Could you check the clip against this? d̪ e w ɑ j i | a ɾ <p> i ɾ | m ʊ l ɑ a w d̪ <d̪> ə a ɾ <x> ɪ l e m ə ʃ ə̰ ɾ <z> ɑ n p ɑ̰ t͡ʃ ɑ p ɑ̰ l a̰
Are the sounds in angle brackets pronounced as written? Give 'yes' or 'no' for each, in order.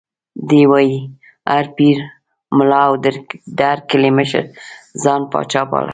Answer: yes, yes, no, yes

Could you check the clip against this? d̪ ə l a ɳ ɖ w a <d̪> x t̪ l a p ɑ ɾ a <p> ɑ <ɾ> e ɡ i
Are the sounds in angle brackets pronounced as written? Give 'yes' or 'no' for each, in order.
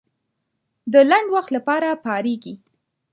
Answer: no, yes, yes

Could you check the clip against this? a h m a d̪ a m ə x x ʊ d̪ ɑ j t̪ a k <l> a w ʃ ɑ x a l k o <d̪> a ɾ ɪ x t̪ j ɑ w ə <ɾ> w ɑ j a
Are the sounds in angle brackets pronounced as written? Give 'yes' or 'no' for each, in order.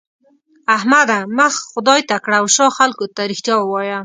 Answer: no, no, no

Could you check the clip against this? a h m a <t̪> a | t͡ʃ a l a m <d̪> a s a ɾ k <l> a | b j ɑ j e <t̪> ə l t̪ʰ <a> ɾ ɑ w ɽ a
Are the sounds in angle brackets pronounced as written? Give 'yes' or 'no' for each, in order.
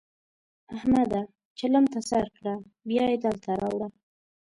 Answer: no, no, no, no, yes

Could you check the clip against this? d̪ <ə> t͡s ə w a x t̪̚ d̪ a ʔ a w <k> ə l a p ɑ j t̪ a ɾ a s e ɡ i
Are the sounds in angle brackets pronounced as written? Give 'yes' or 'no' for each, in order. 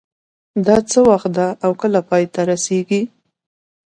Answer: no, yes

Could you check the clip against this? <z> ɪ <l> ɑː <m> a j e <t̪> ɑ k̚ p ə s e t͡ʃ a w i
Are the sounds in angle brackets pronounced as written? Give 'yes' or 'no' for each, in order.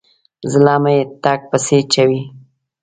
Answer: yes, yes, yes, yes

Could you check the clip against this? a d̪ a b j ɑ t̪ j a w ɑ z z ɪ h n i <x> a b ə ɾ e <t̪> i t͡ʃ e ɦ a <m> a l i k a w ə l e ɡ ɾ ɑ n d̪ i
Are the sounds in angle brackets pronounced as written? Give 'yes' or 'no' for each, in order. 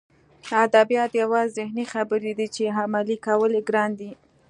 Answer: yes, no, yes

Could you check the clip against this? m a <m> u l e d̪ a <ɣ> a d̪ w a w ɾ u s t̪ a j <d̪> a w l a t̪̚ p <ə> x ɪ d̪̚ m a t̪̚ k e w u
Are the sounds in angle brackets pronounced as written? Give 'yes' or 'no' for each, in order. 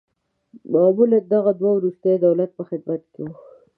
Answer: yes, yes, yes, yes

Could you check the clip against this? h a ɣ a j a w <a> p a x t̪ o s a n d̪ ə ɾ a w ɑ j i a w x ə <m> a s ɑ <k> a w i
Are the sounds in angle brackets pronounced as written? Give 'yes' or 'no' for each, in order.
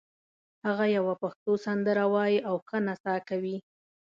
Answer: yes, no, yes

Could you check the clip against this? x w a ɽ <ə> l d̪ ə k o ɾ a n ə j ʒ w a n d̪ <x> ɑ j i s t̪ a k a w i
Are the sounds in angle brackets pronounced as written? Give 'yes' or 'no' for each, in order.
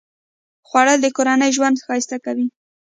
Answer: yes, yes

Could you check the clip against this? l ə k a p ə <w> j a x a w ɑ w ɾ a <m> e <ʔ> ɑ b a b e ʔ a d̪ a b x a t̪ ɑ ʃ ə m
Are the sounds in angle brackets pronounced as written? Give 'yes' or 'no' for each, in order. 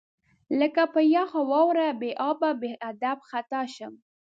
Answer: no, no, yes

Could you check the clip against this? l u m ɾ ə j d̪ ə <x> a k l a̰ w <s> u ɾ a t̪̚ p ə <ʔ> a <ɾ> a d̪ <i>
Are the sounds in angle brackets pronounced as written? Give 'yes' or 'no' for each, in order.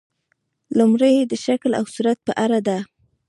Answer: no, yes, yes, yes, no

